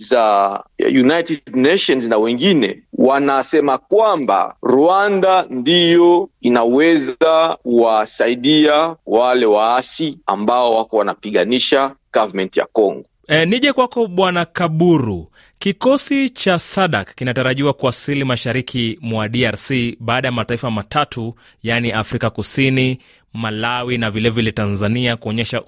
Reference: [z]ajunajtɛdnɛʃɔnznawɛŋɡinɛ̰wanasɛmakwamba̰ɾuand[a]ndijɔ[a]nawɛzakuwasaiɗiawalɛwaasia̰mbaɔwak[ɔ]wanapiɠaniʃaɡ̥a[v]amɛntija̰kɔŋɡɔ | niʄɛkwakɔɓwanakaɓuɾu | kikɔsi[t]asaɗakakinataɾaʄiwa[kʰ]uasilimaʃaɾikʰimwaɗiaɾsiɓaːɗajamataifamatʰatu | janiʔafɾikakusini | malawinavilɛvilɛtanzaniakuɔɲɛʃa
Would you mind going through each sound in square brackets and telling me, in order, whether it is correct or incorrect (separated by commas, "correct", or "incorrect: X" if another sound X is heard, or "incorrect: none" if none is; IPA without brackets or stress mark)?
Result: correct, correct, incorrect: i, correct, correct, incorrect: t͡ʃ, incorrect: k